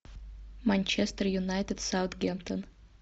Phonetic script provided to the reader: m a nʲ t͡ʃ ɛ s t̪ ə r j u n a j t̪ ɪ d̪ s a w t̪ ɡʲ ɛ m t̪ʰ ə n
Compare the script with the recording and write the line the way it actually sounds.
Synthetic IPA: m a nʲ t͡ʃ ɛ s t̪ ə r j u n a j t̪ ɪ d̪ s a w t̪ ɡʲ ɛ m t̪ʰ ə n